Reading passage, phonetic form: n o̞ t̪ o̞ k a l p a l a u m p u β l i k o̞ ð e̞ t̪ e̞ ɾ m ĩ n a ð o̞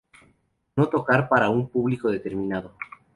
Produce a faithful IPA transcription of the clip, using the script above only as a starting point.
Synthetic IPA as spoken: n o̞ t̪ o̞ k a ɾ p a ɾ a u m p u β l i k o̞ ð e̞ t̪ e̞ ɾ m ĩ n a ð o̞

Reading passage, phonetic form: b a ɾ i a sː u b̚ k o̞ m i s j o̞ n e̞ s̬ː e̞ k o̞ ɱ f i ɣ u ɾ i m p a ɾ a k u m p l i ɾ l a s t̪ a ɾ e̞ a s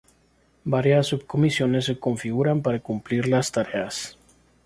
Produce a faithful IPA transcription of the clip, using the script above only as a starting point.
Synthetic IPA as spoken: b a ɾ j a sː u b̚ k o̞ m i s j o̞ n e̞ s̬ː e̞ k o̞ ɱ f i ɣ u ɾ a m p a ɾ a k u m p l i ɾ l a s t̪ a ɾ e̞ a s

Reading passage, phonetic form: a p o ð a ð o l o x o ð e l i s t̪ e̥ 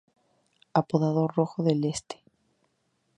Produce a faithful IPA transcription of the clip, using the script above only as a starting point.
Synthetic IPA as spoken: a p o ð a ð o r o x o ð e l e s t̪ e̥

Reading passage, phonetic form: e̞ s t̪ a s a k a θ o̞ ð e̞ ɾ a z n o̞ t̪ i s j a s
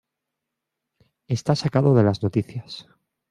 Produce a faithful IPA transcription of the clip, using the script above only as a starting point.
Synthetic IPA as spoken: e̞ s t̪ a s a k a ð o̞ ð e̞ l a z n o̞ t̪ i θ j a s

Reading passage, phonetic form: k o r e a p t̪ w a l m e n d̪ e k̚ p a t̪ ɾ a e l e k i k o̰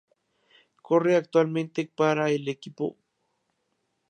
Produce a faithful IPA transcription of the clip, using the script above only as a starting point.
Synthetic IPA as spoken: k o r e a k t̪ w a l m e n t̪ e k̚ p a ɾ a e l e k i p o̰

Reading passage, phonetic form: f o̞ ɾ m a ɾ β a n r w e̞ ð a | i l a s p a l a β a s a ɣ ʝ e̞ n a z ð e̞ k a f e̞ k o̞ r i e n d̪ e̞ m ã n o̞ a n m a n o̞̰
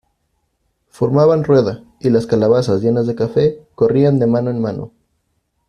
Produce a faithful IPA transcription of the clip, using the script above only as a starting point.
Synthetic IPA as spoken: f o̞ ɾ m a β a n r w e̞ ð a | i l a s k a l a β a s a z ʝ e̞ n a z ð e̞ k a f e̞ k o̞ r i a n d̪ e̞ m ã n o̞ e n m a n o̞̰

